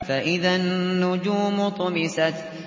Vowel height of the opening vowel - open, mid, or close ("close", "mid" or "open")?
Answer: open